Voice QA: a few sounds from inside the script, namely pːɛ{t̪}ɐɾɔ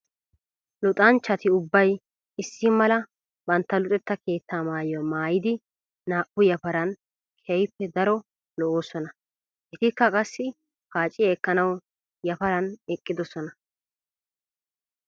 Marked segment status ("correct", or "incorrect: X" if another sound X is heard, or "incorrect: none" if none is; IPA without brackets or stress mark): incorrect: d̪